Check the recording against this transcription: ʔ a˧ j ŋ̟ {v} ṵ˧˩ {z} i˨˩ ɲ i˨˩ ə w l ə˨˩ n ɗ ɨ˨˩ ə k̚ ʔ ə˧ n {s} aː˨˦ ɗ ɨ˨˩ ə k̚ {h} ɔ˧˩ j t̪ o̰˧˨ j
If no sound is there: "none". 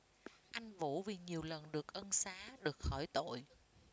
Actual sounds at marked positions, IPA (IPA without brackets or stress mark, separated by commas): v, v, s, x